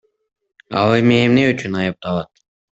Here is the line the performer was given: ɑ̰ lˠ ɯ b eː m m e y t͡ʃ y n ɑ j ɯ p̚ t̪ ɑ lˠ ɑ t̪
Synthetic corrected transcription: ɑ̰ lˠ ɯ m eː m n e y t͡ʃ y n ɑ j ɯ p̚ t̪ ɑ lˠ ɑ t̪

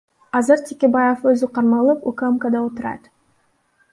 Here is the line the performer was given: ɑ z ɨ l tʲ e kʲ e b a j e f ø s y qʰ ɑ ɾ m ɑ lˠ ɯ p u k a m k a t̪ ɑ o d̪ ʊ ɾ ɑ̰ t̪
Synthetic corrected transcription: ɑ z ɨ ɾ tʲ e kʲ e b a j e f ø z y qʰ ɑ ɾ m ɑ lˠ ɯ p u k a m k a d̪ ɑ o t̪ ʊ ɾ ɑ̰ t̪

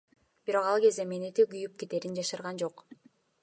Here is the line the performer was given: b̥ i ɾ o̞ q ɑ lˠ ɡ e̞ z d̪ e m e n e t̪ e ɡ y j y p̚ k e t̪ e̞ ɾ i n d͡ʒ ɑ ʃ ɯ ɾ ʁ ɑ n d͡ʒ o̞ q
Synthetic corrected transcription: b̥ i ɾ o̞ q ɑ lˠ ɡ e̞ z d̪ e m e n e t̪ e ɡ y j y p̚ k e t̪ e̞ ɾ i n d͡ʒ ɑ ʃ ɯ ɾ ʁ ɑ n d͡ʒ o̞ q

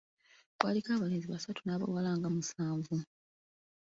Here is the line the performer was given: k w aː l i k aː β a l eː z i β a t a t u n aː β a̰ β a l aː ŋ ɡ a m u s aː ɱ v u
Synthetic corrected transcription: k w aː l i k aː β a l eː z i β a s a t u n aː β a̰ w a l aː ŋ ɡ a m u s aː ɱ v u

